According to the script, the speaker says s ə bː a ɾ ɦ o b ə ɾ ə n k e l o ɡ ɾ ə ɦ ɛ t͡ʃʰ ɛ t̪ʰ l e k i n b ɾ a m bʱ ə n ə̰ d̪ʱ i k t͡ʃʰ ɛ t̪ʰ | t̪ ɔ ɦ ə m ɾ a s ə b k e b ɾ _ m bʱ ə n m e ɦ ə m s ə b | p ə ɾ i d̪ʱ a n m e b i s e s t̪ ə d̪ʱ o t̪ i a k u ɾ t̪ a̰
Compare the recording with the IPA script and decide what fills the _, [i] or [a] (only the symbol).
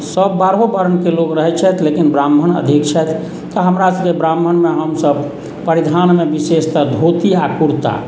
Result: a